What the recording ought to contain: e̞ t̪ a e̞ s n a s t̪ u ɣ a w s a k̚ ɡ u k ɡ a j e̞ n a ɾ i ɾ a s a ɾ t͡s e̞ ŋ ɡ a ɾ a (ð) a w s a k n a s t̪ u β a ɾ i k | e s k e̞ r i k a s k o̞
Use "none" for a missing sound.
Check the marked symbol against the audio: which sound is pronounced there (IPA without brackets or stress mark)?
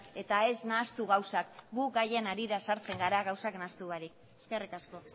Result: ɣ